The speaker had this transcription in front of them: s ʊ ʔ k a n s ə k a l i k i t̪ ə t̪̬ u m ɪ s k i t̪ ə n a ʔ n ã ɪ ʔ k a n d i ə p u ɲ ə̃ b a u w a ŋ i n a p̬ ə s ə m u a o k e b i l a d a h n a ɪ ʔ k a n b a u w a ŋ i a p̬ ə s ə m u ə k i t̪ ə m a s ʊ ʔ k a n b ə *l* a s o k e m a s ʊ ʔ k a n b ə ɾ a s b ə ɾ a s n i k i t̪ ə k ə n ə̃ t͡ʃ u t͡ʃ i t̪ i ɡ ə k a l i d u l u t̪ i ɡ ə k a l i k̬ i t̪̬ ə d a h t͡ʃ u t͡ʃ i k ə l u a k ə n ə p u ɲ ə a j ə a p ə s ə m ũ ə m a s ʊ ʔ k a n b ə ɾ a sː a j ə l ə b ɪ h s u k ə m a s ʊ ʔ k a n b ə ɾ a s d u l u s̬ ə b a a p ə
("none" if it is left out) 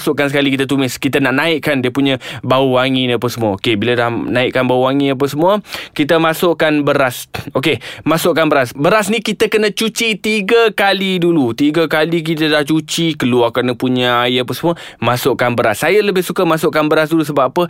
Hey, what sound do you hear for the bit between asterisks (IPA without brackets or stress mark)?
ɾ